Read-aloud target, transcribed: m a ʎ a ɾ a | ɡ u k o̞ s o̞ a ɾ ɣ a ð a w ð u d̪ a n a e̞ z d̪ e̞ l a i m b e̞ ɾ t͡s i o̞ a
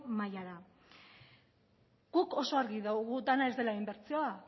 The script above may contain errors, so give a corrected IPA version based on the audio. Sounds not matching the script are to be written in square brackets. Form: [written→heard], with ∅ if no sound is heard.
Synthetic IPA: m a [ʎ→j] a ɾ a | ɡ u k o̞ s o̞ a ɾ ɣ [a→i] ð a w [ð→ɣ] u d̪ a n a e̞ z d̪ e̞ l a i m b e̞ ɾ t͡s i o̞ a